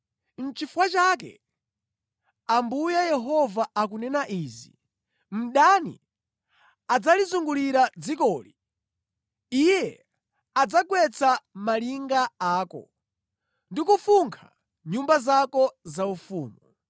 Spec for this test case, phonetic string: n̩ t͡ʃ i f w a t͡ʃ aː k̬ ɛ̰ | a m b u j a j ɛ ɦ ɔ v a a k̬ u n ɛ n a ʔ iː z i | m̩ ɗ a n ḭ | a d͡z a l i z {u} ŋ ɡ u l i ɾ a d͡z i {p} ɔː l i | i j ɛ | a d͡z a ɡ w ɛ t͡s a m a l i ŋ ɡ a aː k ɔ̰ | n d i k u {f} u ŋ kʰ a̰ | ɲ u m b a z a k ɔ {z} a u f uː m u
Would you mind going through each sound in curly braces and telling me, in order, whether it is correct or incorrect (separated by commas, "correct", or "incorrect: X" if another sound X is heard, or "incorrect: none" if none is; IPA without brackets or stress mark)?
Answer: correct, incorrect: k, correct, correct